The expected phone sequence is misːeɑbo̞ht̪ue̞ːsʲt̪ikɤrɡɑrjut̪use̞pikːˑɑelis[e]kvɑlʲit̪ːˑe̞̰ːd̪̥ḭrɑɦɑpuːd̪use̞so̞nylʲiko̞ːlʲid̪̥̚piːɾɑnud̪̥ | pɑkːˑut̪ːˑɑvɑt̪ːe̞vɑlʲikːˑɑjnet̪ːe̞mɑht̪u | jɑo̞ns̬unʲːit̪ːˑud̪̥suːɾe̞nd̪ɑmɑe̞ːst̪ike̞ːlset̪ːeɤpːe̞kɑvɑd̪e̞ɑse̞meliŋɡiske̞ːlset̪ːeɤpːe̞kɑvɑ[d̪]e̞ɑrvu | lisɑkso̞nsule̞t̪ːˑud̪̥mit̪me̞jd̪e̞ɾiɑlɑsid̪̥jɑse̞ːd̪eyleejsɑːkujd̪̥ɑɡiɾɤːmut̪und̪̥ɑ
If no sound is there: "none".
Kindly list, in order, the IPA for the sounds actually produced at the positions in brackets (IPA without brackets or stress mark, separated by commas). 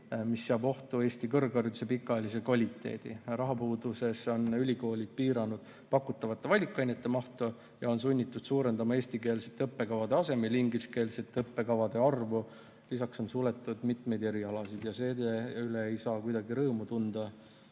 e, d̪